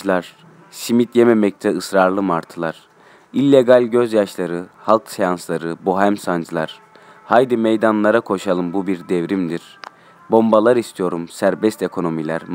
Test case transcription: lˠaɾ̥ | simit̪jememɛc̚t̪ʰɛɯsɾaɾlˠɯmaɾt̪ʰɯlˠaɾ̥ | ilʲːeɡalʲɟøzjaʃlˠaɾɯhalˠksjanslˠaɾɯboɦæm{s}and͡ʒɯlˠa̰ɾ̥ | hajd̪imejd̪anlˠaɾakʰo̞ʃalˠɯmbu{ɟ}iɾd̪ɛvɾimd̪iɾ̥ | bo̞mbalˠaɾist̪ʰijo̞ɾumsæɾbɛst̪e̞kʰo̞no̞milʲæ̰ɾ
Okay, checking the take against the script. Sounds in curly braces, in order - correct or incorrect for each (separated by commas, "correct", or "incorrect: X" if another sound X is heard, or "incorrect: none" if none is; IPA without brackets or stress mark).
correct, incorrect: b